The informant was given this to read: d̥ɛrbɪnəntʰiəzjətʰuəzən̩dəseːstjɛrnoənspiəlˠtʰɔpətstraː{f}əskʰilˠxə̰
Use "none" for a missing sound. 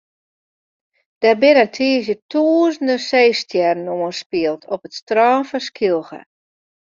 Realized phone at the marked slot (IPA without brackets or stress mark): f